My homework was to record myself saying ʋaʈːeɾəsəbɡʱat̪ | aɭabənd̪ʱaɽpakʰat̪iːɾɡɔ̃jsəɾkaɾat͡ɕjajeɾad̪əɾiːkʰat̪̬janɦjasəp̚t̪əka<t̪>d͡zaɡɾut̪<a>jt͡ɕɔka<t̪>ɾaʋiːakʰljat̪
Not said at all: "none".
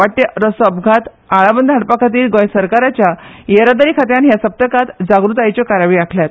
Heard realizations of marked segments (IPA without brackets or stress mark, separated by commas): t̪, a, none